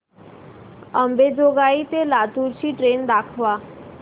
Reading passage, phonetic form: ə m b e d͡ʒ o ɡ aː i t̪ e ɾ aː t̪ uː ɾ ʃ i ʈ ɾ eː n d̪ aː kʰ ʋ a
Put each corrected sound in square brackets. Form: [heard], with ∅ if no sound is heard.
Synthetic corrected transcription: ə m b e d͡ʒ o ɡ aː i t̪ e [l] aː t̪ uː ɾ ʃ i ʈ ɾ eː n d̪ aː kʰ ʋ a